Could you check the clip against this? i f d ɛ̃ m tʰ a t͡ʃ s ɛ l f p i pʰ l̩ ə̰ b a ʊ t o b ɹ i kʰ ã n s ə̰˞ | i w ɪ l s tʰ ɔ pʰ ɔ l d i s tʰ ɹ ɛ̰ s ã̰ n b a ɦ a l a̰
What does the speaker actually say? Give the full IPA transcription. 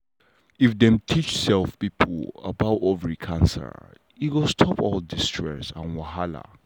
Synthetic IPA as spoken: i f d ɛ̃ m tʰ i t͡ʃ s ɛ l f p i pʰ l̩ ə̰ b a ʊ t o v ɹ i kʰ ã n s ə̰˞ | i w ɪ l s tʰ ɔ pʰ ɔ l d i s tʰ ɹ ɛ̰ s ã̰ n w a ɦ a l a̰

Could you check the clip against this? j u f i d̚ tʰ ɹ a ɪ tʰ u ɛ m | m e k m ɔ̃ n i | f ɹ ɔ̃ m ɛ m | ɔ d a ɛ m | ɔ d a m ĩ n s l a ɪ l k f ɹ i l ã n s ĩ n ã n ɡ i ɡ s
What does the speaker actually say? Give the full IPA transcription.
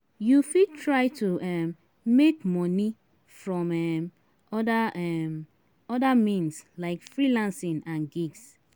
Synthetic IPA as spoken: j u f i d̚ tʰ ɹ a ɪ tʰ u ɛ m | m e k m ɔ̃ n i | f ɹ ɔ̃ m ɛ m | ɔ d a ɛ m | ɔ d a m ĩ n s l a ɪ k f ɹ i l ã n s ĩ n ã n ɡ i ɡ s

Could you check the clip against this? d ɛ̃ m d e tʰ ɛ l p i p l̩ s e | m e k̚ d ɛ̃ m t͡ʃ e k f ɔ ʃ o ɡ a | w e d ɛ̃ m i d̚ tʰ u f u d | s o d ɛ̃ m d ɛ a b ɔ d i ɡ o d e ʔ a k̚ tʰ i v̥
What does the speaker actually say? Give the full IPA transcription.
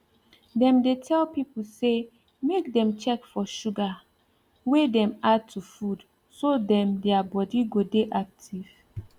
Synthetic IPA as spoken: d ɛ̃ m d e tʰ ɛ l p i p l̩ s e | m e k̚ d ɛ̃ m t͡ʃ ɛ k f ɔ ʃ u ɡ a | w e d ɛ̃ m a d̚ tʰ u f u d | s o d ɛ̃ m d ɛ a b ɔ d i ɡ o d e ʔ a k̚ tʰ i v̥

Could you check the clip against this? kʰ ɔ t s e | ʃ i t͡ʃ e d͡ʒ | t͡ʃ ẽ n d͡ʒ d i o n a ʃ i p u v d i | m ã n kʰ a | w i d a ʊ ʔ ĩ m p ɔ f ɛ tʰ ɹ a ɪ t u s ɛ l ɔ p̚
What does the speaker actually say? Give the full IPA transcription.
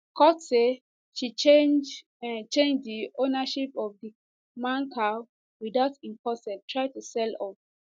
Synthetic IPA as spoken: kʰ ɔ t s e | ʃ i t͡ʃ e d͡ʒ | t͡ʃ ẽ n d͡ʒ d i o n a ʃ i p ɔ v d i | m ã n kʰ a | w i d a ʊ t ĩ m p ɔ s ɛ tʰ ɹ a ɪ t u s ɛ l ɔ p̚

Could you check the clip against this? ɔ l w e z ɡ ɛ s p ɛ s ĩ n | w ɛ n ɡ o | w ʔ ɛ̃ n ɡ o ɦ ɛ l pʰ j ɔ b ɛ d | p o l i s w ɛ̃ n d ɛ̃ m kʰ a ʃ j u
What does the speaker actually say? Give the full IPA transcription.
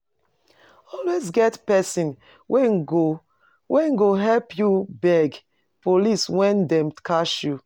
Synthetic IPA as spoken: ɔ l w e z ɡ ɛ t p ɛ s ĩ n | w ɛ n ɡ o | w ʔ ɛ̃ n ɡ o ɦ ɛ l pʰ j u b ɛ ɡ | p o l i s w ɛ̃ n d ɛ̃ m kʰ a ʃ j u

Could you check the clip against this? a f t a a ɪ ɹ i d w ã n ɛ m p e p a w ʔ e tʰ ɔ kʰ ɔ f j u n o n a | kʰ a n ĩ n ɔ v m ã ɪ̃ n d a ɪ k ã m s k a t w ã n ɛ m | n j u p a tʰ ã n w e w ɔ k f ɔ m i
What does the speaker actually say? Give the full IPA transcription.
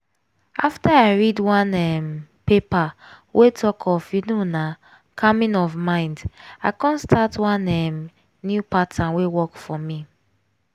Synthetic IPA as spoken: a f t a a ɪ ɹ i d w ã n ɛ m p e p a w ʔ e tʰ ɔ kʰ ɔ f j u n o n a | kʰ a m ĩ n ɔ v m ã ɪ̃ n d a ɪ k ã n s t a t w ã n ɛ m | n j u p a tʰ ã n w e w ɔ k f ɔ m i

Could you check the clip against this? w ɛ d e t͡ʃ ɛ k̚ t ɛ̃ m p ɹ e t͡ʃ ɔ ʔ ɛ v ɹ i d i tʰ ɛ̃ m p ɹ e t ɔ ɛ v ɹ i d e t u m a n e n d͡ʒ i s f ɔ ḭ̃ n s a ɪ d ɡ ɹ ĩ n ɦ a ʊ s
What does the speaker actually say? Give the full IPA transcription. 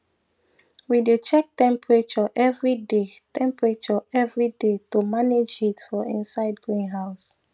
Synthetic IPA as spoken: w i d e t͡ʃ ɛ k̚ t ɛ̃ m p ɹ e t͡ʃ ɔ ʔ ɛ v ɹ i d e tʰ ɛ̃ m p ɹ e t͡ʃ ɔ ɛ v ɹ i d e t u m a n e d͡ʒ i t f ɔ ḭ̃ n s a ɪ d ɡ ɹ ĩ n ɦ a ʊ s

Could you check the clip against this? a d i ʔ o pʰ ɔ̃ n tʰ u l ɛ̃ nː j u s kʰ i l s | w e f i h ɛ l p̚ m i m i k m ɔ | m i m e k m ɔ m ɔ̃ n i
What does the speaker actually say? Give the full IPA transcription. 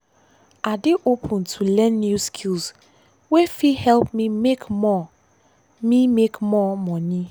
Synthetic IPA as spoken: a d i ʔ o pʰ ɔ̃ n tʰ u l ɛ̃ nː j u s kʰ i l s | w e f i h ɛ l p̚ m i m e k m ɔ | m i m e k m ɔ m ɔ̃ n i

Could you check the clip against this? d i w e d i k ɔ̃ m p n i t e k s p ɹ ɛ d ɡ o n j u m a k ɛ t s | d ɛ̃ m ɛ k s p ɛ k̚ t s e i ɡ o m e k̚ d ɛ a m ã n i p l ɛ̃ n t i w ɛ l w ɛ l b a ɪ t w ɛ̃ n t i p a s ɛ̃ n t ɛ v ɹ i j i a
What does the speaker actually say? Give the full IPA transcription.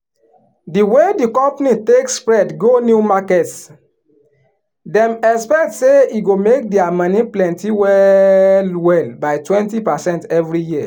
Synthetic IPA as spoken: d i w e d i k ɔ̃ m p n i t e k s p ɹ ɛ d ɡ o n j u m a k ɛ t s | d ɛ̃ m ɛ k s p ɛ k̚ t s e i ɡ o m e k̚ d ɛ a m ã n i p l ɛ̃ n t i w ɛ l w ɛ l b a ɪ t w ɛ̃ n t i p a s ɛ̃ n t ɛ v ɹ i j i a

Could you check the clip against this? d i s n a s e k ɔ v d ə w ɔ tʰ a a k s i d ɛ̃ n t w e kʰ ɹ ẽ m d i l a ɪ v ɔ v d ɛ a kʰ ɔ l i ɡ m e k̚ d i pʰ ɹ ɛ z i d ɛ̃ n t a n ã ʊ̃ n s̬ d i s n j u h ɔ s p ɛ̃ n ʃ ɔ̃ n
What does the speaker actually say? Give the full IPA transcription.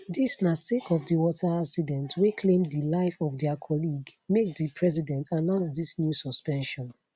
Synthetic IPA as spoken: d i s n a s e k ɔ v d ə w ɔ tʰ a a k s i d ɛ̃ n t w e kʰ l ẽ m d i l a ɪ f ɔ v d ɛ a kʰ ɔ l i ɡ m e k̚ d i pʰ ɹ ɛ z i d ɛ̃ n t a n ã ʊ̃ n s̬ d i s n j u s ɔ s p ɛ̃ n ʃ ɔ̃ n

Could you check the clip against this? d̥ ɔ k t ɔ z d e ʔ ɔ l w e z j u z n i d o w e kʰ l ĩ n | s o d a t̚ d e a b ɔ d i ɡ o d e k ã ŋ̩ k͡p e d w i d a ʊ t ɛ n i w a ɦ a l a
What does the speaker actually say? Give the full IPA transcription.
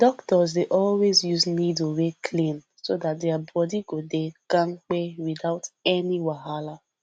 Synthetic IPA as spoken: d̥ ɔ k t ɔ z d e ʔ ɔ l w e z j u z n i d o w e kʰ l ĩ n | s o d a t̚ d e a b ɔ d i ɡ o d e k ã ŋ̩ k͡p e w i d a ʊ t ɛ n i w a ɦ a l a

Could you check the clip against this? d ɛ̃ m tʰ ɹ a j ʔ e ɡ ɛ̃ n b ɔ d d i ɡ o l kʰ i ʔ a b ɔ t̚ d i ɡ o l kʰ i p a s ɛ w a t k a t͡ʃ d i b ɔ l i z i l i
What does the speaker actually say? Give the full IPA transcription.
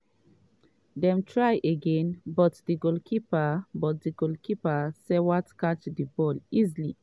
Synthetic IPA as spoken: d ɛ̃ m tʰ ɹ a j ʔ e ɡ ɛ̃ n b ɔ t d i ɡ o l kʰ i p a b ɔ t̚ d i ɡ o l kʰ i p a s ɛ w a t k a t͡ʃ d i b ɔ l i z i l i

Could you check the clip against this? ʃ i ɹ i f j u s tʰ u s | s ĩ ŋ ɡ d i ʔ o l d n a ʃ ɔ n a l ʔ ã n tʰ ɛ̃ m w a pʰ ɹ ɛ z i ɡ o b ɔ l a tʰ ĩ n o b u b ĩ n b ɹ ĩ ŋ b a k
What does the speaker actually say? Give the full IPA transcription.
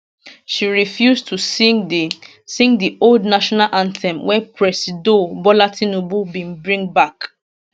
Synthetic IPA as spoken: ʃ i ɹ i f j u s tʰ u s | s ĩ ŋ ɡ d i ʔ o l d n a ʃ ɔ n a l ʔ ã n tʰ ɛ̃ m w ɛ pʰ ɹ ɛ s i d o b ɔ l a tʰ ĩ n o b u b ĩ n b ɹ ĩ ŋ b a k

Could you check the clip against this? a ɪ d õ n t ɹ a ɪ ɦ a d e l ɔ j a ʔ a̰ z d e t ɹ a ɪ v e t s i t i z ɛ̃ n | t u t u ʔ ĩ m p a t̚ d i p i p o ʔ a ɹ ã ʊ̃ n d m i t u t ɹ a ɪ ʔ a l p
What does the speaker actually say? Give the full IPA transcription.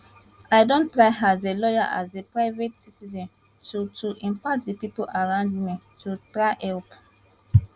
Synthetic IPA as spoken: a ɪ d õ n t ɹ a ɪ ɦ a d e l ɔ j a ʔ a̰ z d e p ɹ a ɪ v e t s i t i z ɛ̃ n | t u t u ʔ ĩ m p a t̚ d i p i p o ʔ a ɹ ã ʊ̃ n d m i t u t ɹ a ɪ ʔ ɛ l p

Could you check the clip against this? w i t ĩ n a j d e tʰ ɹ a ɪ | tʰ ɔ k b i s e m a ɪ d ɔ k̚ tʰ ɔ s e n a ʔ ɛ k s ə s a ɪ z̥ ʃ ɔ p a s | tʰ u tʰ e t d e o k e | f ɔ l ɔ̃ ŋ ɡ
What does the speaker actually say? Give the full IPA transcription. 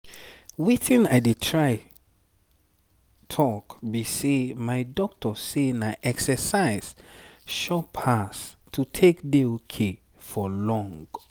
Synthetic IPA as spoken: w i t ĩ n a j d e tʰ ɹ a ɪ | tʰ ɔ k b i s e m a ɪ d ɔ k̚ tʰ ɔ s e n a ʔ ɛ k s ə s a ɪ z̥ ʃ ɔ pʰ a s | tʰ u tʰ e k d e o kʰ e | f ɔ l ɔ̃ ŋ ɡ

